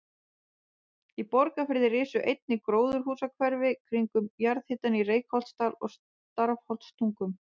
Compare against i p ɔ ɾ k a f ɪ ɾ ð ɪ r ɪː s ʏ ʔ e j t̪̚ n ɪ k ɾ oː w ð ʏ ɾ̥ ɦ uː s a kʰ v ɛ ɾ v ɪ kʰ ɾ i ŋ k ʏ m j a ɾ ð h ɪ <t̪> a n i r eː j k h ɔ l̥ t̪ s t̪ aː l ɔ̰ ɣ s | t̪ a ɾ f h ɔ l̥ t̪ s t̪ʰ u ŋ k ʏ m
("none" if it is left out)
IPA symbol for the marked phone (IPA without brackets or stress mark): t̪